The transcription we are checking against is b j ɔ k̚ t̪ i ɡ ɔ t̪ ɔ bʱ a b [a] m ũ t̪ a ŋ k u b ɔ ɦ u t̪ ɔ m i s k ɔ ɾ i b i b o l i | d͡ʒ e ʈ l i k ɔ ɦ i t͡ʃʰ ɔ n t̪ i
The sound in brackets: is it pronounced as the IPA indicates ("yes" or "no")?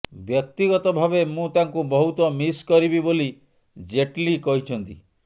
no